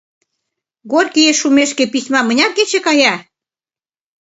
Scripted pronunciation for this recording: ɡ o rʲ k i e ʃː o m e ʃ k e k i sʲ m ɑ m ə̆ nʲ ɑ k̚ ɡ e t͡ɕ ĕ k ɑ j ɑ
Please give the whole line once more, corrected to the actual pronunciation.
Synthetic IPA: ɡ o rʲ k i e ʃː u m e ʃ k e p i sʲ m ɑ m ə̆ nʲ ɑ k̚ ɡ e t͡ɕ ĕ k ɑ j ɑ